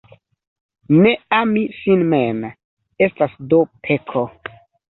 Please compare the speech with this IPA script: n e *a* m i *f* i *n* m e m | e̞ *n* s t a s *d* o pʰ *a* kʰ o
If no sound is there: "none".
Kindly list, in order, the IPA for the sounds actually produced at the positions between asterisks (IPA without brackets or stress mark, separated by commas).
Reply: a, s, n, none, d, e